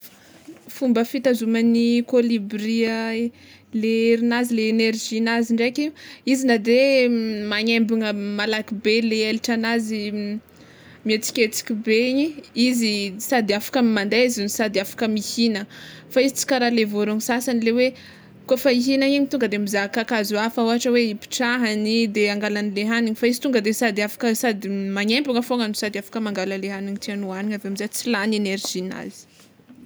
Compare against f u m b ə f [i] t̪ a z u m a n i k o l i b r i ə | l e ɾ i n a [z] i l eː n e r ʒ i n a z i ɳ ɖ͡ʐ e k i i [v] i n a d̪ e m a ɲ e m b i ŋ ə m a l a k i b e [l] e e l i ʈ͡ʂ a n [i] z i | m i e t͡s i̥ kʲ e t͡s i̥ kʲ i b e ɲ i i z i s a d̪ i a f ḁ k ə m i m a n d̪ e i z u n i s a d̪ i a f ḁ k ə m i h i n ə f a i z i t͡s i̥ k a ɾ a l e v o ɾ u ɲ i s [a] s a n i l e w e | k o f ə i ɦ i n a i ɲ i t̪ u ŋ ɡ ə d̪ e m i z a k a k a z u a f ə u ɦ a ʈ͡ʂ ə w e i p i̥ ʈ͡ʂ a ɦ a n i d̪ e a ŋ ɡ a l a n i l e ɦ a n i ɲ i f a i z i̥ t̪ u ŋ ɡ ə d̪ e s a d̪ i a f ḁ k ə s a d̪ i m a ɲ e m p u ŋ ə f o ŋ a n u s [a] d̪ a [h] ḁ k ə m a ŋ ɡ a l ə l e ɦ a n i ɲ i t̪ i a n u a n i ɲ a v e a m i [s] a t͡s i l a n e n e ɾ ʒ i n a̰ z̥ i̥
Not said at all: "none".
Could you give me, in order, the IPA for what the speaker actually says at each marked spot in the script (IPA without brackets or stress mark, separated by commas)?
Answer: i, z, z, l, a, a, a, f, z